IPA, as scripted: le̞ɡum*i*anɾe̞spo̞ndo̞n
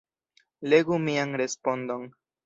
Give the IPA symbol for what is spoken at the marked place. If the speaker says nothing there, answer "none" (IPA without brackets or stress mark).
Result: i